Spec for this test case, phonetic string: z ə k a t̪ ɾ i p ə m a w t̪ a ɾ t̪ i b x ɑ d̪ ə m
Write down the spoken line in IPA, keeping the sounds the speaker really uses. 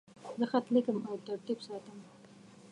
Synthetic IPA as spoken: z ə x a t̪ l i k ə m a w t̪ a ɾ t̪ i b s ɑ t̪ ə m